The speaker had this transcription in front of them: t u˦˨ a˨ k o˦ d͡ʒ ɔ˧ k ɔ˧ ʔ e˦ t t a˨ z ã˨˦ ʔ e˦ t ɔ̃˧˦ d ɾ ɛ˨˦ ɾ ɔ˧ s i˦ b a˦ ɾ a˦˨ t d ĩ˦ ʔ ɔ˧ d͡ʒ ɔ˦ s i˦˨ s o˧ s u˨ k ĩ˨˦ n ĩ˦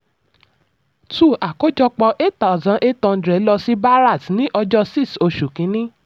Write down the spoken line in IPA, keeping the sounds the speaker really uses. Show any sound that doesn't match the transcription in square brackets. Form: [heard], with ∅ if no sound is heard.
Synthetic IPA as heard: t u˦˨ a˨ k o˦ d͡ʒ ɔ˧ [k͡p] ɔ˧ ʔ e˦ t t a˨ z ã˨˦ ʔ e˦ t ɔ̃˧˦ d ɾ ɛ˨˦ [l] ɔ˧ s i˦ b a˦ ɾ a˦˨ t [n] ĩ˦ ʔ ɔ˧ d͡ʒ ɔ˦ s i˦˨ s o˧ [ʃ] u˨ k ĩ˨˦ n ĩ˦